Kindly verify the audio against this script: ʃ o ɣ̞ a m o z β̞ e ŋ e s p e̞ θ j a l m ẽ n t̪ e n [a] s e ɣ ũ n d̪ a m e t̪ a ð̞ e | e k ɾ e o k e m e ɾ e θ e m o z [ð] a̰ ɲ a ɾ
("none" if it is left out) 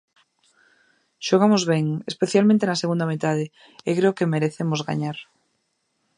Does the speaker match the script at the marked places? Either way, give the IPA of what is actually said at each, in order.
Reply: a, ɣ

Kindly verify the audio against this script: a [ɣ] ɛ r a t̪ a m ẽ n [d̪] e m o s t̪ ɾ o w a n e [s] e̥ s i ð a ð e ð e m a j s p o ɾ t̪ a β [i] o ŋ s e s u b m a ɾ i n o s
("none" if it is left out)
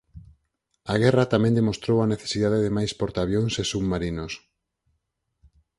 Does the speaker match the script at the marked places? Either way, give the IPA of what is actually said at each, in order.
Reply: ɣ, d̪, θ, j

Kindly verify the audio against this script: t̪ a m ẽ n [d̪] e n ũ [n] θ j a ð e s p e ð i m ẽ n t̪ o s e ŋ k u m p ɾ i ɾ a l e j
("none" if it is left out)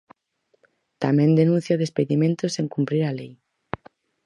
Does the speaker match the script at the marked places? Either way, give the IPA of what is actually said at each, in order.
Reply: d̪, n

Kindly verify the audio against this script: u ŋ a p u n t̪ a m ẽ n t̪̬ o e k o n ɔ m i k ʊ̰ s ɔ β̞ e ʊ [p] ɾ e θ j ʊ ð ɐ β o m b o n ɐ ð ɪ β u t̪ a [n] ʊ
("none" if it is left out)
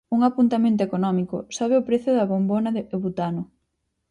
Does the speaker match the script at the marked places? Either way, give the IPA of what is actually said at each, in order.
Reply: p, n

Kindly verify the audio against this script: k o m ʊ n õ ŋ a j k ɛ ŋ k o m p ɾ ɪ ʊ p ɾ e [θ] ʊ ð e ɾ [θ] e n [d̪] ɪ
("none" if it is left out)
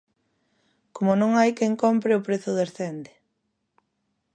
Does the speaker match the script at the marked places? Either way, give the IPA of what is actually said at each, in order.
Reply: θ, θ, d̪

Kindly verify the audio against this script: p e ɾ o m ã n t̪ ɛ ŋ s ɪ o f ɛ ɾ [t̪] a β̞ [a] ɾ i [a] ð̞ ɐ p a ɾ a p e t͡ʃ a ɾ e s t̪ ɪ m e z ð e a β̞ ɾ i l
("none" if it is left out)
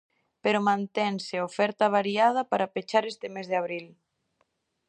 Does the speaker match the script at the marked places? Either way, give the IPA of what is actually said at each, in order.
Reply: t̪, a, a

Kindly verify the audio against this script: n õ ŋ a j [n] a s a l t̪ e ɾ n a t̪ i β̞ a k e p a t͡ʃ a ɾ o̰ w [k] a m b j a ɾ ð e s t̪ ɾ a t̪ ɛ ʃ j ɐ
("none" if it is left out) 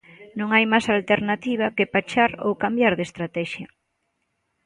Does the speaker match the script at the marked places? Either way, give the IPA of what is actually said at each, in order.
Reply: m, k

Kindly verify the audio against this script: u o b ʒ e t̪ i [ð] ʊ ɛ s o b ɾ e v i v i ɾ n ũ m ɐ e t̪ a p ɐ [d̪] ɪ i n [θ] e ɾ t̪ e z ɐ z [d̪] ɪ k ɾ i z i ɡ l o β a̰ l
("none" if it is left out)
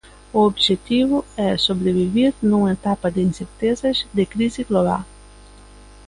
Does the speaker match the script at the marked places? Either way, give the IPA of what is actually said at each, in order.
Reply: v, d̪, s, d̪

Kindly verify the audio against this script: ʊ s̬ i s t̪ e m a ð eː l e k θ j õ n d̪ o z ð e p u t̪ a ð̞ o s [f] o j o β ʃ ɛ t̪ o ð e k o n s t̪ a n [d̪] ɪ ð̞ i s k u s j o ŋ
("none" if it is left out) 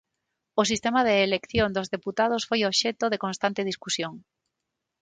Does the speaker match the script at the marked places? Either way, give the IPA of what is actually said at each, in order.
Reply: f, t̪

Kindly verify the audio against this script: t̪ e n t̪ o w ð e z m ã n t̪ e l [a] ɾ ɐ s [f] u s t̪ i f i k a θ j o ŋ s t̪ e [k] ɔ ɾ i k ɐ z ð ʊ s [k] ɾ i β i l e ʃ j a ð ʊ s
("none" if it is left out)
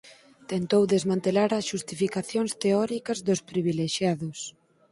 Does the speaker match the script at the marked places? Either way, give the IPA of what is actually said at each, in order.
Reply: a, ʃ, none, p

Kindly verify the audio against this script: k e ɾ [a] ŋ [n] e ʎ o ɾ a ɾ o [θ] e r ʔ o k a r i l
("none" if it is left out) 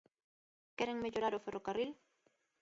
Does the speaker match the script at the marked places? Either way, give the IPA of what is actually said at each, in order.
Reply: e, m, f

